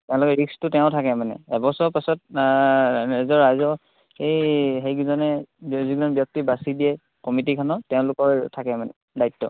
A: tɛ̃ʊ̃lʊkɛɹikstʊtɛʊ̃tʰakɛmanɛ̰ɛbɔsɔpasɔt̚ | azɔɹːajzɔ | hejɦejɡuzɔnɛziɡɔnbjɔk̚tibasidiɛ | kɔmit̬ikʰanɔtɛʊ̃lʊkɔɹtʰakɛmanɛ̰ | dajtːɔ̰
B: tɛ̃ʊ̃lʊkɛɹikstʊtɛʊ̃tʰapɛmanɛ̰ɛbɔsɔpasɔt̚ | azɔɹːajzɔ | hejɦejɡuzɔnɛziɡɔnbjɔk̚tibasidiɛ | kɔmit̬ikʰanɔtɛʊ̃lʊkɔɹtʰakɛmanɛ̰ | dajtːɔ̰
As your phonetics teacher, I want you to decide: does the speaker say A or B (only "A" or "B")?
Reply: A